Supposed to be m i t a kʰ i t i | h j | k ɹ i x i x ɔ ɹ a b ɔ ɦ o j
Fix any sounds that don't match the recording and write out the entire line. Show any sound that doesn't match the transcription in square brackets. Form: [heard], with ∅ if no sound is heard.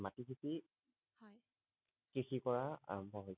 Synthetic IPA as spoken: m [a] t [i] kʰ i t i | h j | k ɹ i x i [k] ɔ ɹ a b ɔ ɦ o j